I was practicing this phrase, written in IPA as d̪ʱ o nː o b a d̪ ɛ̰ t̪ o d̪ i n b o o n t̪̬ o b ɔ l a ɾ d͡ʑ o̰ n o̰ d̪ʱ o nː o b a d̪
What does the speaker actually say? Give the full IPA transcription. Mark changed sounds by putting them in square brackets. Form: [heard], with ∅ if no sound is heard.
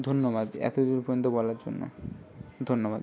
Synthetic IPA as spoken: d̪ʱ o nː o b a d̪ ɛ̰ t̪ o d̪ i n [p] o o n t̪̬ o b ɔ l a ɾ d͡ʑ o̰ [nː] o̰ d̪ʱ o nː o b a d̪

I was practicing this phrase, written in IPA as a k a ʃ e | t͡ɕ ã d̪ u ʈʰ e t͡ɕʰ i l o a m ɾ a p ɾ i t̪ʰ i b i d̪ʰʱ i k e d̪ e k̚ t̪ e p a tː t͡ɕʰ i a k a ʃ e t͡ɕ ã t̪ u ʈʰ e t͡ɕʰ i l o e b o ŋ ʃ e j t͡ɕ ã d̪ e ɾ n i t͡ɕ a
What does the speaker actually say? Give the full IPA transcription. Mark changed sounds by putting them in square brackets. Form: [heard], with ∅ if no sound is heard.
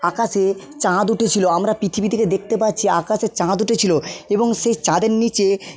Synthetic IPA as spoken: a k a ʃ e | t͡ɕ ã d̪ u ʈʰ e t͡ɕʰ i l o a m ɾ a p ɾ i t̪ʰ i b i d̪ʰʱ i k e d̪ e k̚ t̪ e p a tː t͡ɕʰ i a k a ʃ e t͡ɕ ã [d̪] u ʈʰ e t͡ɕʰ i l o e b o ŋ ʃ e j t͡ɕ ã d̪ e ɾ n i t͡ɕ [e]

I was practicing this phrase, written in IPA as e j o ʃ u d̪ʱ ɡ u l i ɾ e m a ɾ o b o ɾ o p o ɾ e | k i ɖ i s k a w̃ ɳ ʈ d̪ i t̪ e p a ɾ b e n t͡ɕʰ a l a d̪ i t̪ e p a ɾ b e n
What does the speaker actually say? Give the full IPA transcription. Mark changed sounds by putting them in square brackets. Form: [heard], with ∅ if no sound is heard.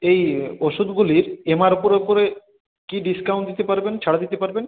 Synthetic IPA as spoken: e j o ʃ u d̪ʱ ɡ u l i ɾ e m a ɾ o [p] o ɾ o p o ɾ e | k i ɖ i s k a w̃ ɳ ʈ d̪ i t̪ e p a ɾ b e n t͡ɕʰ a [ɽ] a d̪ i t̪ e p a ɾ b e n

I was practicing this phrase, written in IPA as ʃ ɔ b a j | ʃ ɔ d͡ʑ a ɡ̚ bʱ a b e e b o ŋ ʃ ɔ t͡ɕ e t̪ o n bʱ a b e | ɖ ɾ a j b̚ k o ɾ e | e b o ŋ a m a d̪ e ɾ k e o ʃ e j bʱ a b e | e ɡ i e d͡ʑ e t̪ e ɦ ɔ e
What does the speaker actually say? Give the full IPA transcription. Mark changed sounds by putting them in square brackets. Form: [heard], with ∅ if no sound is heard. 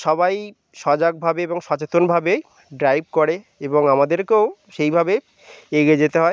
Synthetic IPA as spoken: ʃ ɔ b a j | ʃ ɔ d͡ʑ a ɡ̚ bʱ a b e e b o ŋ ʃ ɔ t͡ɕ e t̪ o n bʱ a b e | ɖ ɾ a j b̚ k o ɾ e | e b o ŋ a m a d̪ e ɾ k e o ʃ e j bʱ a b e | e ɡ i e d͡ʑ e t̪ e ɦ ɔ e

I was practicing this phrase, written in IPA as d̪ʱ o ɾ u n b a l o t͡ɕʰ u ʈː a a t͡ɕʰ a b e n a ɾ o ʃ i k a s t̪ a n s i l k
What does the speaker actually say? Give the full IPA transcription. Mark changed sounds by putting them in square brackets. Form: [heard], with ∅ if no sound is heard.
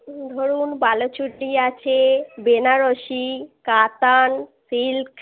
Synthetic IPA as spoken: d̪ʱ o ɾ u n b a l o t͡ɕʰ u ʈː [i] a t͡ɕʰ [e] b e n a ɾ o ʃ i k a [∅] t̪ a n s i l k

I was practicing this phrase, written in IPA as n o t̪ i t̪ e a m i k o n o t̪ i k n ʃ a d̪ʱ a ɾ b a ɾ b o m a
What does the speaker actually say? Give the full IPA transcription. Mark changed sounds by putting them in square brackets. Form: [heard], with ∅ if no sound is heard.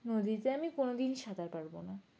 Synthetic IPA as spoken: n o [d̪] i t̪ e a m i k o n o [d̪] i [∅] n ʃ a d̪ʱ a ɾ [p] a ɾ b o [n] a

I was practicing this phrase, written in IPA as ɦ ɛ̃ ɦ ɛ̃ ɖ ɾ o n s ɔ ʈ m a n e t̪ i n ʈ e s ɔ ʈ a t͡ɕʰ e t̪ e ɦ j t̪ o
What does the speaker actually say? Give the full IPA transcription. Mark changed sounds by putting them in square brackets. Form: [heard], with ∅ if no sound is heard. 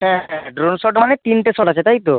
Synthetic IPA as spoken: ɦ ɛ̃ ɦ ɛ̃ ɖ ɾ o n s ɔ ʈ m a n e t̪ i n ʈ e s ɔ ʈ a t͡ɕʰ e t̪ [a] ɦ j t̪ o

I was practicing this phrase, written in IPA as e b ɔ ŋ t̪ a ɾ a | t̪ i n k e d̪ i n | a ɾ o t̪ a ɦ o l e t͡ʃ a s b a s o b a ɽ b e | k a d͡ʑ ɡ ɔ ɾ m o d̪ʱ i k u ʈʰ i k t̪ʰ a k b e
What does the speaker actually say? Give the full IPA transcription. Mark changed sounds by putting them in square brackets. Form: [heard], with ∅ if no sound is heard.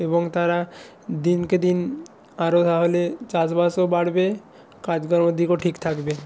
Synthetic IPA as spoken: e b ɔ ŋ t̪ a ɾ a | [d̪] i n k e d̪ i n | a ɾ o t̪ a ɦ o l e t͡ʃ a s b a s o b a ɽ b e | k a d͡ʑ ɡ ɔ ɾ m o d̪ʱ i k [o] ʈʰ i k t̪ʰ a k b e

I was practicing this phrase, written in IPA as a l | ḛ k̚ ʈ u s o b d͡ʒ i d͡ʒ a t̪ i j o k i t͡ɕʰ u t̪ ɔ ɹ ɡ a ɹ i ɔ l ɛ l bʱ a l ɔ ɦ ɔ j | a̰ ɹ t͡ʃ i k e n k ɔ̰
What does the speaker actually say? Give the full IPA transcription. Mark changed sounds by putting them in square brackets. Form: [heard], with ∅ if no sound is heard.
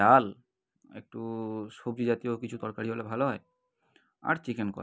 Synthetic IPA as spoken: a l | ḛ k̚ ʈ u s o b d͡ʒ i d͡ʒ a t̪ i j o k i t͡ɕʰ u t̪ ɔ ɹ [k] a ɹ i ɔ l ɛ [∅] bʱ a l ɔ ɦ ɔ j | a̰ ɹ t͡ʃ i k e n k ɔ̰

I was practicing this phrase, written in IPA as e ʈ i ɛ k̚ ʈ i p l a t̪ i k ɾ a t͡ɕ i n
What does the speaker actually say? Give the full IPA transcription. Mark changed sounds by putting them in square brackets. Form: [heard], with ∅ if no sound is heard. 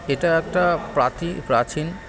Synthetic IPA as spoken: e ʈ [a] ɛ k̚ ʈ [a] p [ɾ] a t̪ i [p] ɾ a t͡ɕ i n

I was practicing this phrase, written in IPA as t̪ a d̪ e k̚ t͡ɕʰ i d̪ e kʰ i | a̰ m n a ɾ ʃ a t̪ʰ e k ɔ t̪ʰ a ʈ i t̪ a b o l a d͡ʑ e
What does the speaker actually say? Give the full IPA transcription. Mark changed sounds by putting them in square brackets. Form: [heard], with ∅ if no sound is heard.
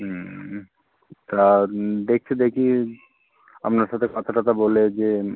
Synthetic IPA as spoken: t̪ a d̪ e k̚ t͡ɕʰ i d̪ e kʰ i | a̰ m n a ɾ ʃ a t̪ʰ e k ɔ t̪ʰ a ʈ [a] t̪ a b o l [e] d͡ʑ e

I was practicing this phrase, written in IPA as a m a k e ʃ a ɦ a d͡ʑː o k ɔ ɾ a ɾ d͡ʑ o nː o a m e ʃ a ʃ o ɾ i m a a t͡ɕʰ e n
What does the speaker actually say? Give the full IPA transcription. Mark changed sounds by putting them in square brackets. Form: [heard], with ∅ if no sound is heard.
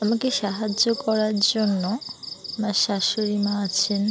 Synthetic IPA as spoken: a m a k e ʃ a ɦ a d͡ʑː o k ɔ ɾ a ɾ d͡ʑ o nː o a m [a] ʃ a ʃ o ɾ i m a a t͡ɕʰ e n

